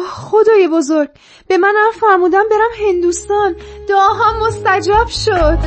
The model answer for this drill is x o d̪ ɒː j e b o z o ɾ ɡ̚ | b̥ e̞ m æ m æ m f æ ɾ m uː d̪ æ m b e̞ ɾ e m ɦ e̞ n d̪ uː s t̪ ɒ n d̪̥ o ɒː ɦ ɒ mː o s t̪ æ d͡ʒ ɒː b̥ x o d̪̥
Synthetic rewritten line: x o d̪ ɒː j e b o z o ɾ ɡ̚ | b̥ e̞ m æ n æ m f æ ɾ m uː d̪ æ m b e̞ ɾ æ m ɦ e̞ n d̪ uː s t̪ ɒ n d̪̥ o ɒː ɦ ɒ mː o s t̪ æ d͡ʒ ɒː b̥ ʃ o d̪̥